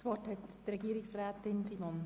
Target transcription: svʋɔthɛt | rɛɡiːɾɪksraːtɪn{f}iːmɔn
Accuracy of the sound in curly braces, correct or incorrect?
incorrect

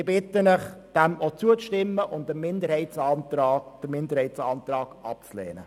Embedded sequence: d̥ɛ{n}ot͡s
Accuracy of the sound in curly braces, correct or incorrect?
incorrect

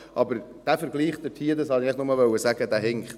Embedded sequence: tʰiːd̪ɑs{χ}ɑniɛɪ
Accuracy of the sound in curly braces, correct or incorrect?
incorrect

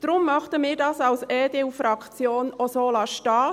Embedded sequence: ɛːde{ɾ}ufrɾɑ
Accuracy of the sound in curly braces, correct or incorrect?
incorrect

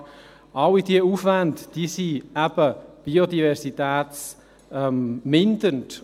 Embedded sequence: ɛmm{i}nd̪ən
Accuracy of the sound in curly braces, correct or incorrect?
incorrect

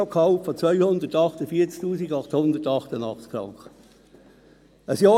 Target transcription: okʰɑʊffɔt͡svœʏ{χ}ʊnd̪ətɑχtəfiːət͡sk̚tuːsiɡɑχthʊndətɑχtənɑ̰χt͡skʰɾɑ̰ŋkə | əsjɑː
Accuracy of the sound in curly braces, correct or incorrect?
incorrect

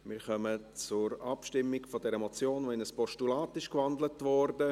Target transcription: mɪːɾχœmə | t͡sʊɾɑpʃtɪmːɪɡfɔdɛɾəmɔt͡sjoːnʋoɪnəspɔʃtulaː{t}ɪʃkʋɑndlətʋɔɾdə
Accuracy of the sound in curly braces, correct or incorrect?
correct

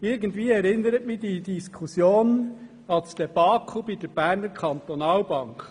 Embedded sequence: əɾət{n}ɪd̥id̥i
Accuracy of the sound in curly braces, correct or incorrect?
incorrect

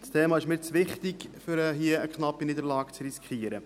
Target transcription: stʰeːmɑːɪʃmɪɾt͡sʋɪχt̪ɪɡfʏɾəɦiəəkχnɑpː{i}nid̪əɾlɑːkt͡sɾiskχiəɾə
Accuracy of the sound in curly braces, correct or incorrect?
correct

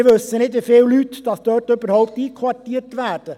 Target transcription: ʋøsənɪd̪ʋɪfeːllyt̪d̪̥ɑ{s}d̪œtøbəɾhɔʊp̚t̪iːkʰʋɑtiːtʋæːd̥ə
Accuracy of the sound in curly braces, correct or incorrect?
correct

